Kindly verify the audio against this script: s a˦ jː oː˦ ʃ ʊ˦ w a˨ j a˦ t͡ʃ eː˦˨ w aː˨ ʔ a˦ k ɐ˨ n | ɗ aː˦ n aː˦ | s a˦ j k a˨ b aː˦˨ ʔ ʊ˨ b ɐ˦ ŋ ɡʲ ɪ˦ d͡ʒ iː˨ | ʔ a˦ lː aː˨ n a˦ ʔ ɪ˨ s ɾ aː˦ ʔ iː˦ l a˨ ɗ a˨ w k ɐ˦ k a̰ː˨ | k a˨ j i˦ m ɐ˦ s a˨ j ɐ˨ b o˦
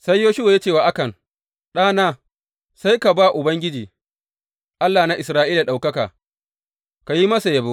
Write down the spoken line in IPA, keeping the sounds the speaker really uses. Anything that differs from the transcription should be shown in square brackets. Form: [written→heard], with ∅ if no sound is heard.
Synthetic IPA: s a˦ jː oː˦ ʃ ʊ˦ w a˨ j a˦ t͡ʃ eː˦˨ w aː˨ ʔ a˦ k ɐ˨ n | ɗ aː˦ n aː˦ | s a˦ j k a˨ b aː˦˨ ʔ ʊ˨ b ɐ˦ ŋ ɡʲ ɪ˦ d͡ʒ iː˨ | ʔ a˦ lː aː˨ n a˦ ʔ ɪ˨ s ɾ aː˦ ʔ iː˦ l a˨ ɗ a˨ w k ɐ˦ k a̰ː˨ | k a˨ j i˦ m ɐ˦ s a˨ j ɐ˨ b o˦